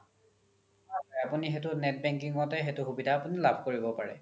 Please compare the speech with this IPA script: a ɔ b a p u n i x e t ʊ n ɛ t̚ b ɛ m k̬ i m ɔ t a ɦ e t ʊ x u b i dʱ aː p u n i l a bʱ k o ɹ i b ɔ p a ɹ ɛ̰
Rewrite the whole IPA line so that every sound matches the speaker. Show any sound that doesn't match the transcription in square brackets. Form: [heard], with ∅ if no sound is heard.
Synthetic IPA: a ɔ [∅] a p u n i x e t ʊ n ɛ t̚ b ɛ [ŋ] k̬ i [ŋ] ɔ t [ɛ] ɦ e t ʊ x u b i dʱ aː p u n i l a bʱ k o ɹ i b ɔ p a ɹ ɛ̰